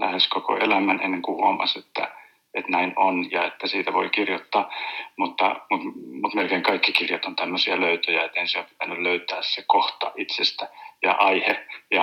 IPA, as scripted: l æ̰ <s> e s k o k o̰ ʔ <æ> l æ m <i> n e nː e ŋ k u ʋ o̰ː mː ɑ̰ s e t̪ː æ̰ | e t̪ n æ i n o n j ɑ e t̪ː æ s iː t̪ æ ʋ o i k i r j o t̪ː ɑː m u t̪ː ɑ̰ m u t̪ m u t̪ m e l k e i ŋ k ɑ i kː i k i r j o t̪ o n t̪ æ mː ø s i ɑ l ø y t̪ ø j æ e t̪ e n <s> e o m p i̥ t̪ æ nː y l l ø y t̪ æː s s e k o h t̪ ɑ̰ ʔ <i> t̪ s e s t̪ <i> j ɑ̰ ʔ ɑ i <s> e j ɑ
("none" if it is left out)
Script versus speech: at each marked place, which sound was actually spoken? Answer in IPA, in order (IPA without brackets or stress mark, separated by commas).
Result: h, e, æ, s, i, æ, h